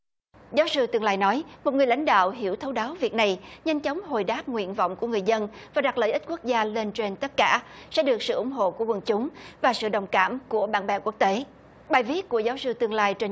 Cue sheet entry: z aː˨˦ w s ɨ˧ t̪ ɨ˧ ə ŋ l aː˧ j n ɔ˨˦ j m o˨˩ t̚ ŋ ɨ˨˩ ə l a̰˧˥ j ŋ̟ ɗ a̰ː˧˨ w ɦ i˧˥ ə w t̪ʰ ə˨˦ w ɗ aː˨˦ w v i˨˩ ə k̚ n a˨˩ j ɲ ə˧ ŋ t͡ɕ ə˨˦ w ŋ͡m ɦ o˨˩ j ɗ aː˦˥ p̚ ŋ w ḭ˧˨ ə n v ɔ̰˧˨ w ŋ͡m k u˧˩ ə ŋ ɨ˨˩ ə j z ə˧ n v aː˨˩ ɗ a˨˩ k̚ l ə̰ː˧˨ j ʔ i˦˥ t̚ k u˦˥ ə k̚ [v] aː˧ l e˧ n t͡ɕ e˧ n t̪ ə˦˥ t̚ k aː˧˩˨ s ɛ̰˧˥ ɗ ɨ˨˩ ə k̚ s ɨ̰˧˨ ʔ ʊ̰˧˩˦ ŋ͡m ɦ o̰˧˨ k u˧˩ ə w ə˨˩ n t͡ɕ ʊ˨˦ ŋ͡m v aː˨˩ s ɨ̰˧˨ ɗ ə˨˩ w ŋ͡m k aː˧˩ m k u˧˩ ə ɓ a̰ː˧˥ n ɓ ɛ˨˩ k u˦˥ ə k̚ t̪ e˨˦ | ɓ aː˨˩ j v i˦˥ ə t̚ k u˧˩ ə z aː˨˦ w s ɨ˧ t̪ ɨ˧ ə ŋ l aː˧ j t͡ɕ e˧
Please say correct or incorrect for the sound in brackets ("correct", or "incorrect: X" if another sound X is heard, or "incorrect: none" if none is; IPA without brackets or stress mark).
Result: incorrect: z